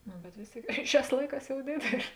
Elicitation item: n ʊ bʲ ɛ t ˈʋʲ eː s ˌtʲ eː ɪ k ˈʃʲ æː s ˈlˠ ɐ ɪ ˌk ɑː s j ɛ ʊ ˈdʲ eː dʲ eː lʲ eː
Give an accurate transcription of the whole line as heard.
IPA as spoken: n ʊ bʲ ɛ t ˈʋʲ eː s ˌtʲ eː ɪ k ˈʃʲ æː s ˈlˠ ɐ ɪ ˌk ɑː s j ɛ ʊ ˈdʲ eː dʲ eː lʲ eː